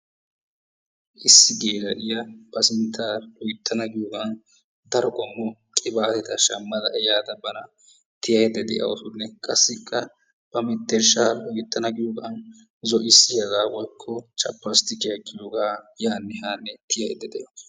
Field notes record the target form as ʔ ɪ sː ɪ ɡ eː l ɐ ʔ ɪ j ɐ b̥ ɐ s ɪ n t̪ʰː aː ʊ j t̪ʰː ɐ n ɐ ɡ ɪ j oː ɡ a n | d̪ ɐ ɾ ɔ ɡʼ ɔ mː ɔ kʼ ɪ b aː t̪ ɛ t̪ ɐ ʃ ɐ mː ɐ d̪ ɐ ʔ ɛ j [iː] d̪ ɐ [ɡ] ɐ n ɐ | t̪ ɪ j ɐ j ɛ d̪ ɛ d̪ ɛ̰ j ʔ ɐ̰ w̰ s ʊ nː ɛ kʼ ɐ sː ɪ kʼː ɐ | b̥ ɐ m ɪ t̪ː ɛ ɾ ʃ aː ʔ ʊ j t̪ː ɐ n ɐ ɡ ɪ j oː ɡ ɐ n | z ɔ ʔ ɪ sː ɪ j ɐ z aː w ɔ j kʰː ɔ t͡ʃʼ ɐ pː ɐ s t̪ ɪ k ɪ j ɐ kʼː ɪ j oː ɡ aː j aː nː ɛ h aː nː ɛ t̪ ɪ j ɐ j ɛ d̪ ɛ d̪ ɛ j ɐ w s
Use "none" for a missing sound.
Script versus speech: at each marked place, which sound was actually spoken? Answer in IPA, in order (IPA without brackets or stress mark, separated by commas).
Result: aː, b